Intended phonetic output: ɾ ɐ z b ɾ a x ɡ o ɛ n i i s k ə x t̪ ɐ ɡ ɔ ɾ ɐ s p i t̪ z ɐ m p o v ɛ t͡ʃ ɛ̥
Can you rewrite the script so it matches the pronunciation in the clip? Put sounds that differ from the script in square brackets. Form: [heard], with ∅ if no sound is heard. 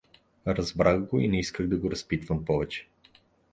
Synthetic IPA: ɾ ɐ z b ɾ a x ɡ o [i] n [ɛ] i s k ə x [d̪] ɐ ɡ [o] ɾ ɐ s p i t̪ [v] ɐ m p [ɔ] v ɛ t͡ʃ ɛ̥